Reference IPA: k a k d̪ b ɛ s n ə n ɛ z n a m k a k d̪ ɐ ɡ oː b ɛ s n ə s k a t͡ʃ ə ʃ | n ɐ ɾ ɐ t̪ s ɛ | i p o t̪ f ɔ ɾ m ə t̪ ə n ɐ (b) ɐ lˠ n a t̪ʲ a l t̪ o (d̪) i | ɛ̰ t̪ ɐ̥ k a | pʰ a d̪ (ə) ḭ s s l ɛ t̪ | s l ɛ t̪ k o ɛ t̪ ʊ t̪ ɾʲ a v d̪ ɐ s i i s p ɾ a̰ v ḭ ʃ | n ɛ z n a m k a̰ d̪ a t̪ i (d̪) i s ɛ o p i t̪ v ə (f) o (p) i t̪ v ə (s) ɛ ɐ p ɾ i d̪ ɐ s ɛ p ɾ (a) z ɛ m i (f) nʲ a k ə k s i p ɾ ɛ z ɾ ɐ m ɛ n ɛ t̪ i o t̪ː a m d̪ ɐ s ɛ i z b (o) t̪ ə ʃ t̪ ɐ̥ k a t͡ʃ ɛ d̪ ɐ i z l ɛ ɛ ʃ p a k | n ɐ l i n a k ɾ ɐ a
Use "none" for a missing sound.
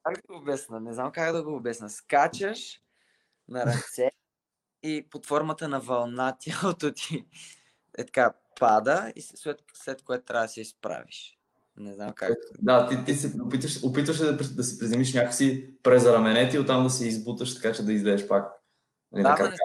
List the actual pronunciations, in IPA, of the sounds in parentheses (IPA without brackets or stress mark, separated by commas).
v, t̪, ə, t̪, ʃ, p, ʃ, i, ʃ, u